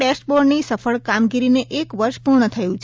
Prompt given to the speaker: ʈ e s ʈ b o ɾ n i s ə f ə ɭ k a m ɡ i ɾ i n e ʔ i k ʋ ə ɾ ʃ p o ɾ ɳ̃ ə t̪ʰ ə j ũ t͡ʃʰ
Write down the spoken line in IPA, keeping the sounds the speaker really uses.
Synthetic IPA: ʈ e s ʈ b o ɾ n i s ə f ə ɭ k a m ɡ i ɾ i n e ʔ e k ʋ ə ɾ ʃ p u ɾ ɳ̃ ə t̪ʰ ə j ũ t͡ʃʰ